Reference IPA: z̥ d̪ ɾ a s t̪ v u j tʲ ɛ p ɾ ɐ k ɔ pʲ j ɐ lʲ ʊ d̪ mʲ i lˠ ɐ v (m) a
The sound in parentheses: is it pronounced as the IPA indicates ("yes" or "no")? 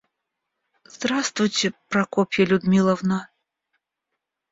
no